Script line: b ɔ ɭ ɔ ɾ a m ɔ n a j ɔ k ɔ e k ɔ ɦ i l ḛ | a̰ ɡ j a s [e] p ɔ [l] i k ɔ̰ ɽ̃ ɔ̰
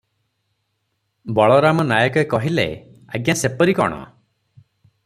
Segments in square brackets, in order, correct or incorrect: correct, incorrect

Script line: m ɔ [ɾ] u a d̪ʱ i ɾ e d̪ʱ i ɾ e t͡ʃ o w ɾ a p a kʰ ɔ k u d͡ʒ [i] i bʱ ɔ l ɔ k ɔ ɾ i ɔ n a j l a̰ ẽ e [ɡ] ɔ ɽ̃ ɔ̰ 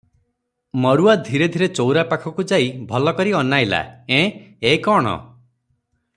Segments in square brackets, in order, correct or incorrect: correct, incorrect, incorrect

